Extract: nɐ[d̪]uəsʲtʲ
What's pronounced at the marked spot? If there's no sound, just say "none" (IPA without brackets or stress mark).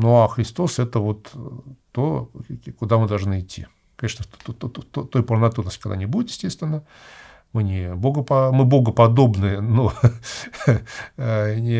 t̪